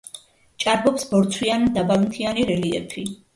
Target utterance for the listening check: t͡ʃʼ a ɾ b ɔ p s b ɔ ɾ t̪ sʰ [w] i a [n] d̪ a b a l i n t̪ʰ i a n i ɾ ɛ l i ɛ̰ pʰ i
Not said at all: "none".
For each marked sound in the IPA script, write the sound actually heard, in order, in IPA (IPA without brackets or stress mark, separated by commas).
w, n